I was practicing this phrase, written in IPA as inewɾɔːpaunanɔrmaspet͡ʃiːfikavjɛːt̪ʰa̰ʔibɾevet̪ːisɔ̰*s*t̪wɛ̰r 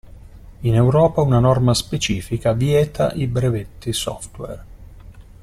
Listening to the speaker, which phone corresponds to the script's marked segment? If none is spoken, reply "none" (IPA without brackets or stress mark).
f